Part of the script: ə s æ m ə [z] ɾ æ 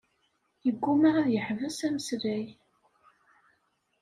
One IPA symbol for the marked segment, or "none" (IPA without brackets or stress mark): s